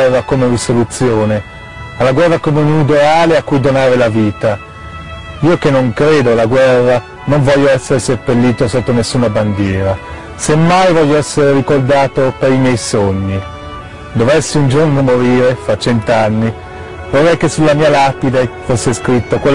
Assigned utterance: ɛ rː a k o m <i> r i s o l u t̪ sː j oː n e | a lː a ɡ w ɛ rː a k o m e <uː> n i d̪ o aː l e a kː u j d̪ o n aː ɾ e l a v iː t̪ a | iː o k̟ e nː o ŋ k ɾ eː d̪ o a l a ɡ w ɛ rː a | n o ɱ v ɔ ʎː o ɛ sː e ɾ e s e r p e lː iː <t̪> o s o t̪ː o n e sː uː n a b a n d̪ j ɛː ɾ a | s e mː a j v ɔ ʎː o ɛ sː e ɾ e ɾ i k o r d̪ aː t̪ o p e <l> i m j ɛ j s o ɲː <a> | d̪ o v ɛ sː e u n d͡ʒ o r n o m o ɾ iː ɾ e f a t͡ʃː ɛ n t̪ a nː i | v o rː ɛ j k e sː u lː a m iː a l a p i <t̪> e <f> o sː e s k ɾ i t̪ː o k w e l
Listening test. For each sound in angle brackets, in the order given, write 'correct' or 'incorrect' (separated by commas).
incorrect, incorrect, correct, incorrect, incorrect, incorrect, correct